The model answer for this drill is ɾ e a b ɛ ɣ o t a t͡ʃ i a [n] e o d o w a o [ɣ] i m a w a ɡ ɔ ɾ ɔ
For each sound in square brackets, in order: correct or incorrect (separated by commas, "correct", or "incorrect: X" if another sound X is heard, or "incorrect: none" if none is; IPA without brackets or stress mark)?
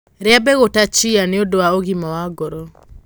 correct, correct